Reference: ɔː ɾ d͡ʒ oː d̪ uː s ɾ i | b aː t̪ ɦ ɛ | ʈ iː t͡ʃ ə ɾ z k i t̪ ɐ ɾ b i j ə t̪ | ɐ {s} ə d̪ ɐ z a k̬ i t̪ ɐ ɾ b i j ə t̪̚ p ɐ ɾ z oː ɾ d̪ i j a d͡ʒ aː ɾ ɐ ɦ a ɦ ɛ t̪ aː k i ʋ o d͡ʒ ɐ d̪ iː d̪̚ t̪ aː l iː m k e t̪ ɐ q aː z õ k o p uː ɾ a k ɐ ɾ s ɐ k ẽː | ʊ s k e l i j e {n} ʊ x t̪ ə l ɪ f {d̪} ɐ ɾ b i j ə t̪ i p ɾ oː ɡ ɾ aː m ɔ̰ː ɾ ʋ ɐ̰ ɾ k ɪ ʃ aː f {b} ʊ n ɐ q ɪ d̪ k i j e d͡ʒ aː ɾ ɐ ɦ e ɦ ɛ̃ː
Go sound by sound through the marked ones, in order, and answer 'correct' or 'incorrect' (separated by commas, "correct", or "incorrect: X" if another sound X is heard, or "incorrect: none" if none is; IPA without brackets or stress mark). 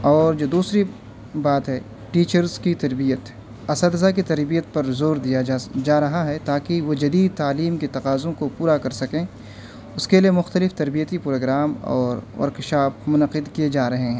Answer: correct, incorrect: m, incorrect: t̪, incorrect: m